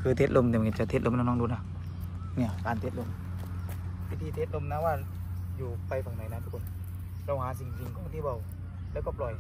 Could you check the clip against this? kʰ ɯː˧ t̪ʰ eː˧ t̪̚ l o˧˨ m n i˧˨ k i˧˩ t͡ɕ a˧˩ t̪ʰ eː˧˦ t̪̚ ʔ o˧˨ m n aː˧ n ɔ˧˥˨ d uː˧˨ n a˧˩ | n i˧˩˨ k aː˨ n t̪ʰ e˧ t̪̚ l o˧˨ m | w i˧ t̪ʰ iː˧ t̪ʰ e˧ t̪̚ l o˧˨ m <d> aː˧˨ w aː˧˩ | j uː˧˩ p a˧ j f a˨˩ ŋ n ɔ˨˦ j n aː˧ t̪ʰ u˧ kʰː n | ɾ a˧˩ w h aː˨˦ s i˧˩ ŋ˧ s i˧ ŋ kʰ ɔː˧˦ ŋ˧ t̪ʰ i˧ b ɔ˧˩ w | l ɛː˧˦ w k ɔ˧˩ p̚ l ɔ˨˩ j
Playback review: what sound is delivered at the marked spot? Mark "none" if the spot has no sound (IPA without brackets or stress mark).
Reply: n